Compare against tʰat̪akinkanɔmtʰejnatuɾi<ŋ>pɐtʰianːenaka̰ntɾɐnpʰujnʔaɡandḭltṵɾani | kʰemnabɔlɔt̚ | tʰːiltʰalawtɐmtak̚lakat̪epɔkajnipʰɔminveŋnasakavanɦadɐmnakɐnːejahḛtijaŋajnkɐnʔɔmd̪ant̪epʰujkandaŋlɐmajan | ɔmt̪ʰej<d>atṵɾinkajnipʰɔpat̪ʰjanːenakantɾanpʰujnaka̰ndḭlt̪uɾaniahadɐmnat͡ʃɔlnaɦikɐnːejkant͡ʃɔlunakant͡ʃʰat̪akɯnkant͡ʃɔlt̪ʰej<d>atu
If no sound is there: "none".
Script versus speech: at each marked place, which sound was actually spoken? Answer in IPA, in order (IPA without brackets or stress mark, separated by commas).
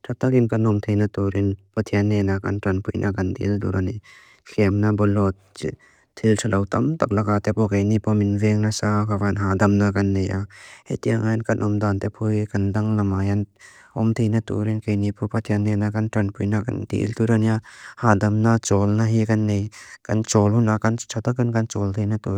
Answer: n, n, n